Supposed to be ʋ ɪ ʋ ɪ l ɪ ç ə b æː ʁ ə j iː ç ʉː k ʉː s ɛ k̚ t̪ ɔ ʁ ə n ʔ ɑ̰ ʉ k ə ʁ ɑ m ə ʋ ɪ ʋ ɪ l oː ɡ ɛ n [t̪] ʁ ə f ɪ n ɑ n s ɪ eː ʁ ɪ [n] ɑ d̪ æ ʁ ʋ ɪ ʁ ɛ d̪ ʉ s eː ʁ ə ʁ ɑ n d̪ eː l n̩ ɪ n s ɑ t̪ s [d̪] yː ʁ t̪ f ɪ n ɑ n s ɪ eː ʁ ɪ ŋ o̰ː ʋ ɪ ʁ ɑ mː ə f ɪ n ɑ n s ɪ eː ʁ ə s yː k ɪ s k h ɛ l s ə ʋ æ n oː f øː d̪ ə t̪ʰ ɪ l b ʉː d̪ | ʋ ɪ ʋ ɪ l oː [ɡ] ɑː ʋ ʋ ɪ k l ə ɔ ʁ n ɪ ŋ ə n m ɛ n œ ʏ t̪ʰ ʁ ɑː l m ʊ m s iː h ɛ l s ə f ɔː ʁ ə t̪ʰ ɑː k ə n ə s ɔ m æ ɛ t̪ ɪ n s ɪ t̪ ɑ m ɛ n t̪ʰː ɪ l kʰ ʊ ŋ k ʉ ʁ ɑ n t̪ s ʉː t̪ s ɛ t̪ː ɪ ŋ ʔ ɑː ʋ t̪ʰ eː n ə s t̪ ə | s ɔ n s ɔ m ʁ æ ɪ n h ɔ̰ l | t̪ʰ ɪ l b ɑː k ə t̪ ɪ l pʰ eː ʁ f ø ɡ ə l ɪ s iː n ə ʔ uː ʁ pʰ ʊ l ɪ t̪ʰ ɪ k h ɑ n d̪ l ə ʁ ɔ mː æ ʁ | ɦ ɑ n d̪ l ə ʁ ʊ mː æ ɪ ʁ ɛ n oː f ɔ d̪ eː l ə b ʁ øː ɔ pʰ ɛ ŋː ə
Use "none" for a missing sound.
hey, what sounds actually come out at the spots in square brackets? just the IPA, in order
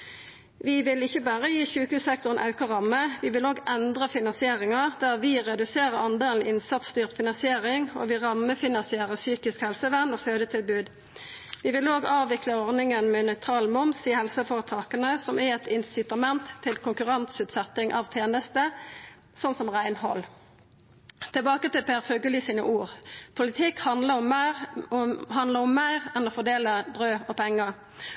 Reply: d̪, ŋ, t̪, ɡ

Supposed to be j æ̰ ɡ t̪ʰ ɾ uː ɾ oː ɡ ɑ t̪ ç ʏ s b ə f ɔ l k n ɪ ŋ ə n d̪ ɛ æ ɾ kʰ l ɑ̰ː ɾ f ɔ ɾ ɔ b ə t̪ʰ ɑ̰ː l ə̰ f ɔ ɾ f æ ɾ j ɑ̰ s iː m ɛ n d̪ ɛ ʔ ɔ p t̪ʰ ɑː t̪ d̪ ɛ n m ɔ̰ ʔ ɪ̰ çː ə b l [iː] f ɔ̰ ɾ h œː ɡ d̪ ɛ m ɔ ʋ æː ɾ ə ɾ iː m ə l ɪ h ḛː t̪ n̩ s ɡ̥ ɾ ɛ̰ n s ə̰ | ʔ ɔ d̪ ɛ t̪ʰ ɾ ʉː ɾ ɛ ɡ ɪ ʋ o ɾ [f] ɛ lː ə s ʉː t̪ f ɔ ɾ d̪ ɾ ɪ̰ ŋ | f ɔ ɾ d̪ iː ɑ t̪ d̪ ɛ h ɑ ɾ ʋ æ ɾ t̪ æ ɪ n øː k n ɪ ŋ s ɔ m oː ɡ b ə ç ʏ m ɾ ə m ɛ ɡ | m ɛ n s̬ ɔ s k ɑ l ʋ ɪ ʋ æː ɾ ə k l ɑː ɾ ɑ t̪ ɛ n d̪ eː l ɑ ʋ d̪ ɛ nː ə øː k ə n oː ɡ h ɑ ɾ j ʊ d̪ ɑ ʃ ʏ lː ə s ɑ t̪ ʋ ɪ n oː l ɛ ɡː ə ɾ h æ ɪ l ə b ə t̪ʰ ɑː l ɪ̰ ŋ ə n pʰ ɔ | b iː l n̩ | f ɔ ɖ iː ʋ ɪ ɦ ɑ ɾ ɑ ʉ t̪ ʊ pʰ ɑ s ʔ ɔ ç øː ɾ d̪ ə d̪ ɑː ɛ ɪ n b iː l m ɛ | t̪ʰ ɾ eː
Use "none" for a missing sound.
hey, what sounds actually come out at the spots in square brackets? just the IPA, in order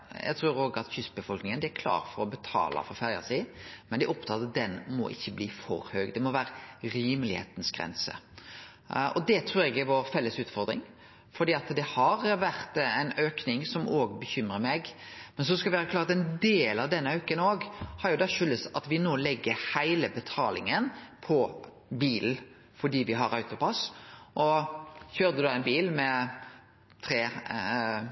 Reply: iː, f

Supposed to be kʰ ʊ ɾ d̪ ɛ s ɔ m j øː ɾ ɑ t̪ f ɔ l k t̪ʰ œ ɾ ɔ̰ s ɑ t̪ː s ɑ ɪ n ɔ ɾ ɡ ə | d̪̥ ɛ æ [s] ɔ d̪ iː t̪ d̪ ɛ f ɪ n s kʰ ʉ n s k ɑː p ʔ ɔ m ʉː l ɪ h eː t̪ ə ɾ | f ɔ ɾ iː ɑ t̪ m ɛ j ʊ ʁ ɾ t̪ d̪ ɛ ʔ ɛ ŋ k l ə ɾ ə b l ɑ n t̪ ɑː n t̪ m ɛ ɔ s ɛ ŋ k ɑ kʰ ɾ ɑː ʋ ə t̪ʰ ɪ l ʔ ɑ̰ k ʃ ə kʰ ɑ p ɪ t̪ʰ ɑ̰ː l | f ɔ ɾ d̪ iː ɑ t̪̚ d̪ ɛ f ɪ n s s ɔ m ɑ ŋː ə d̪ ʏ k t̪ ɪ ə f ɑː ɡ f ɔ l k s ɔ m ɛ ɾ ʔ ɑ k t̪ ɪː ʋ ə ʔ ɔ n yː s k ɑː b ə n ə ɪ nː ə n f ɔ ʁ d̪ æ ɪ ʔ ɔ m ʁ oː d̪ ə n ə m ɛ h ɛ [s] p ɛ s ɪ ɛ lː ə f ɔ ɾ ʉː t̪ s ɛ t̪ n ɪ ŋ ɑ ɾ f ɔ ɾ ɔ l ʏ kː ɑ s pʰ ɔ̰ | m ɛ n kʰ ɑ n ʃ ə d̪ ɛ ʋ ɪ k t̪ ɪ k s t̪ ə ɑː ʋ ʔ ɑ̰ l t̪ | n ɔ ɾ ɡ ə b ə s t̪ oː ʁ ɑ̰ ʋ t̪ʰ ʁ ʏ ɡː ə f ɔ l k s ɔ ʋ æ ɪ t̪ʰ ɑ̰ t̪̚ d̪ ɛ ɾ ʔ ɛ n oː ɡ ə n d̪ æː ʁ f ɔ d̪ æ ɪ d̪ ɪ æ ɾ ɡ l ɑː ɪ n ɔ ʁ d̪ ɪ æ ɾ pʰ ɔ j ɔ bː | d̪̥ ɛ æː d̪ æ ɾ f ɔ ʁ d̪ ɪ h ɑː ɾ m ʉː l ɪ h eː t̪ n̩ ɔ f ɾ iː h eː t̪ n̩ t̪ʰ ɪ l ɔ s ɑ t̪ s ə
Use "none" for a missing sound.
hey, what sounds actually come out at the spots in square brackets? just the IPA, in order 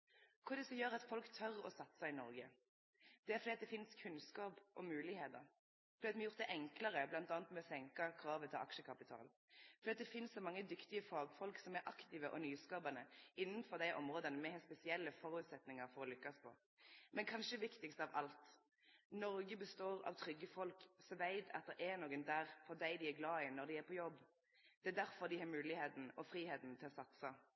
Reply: f, s

